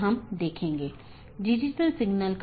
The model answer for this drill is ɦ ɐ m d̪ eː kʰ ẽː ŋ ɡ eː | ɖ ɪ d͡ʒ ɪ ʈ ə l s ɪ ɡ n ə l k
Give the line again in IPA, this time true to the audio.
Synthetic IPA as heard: ɦ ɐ m d̪ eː kʰ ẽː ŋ ɡ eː | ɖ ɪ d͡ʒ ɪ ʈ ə l s ɪ ɡ n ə l k